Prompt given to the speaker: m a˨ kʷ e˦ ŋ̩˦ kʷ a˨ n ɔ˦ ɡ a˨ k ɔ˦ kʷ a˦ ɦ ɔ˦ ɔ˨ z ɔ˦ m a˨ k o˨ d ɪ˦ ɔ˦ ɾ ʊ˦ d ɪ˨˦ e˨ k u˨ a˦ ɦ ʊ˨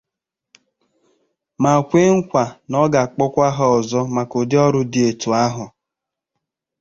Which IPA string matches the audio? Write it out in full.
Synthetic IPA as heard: m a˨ kʷ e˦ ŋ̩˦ kʷ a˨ n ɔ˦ ɡ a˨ k͡p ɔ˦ kʷ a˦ ɦ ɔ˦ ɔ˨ z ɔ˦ m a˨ k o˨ d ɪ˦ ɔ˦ ɾ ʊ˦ d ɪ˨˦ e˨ t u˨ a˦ ɦ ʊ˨